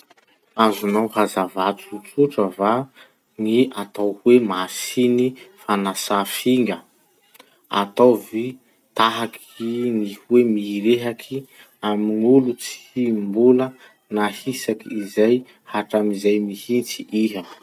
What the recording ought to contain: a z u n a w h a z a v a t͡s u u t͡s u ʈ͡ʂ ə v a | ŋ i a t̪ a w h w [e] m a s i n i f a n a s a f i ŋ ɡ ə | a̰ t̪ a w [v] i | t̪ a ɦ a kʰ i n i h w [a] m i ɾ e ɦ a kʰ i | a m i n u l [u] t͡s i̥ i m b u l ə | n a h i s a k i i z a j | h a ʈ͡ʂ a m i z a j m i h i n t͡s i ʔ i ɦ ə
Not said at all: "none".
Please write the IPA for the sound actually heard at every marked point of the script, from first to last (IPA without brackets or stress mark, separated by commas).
e, v, e, u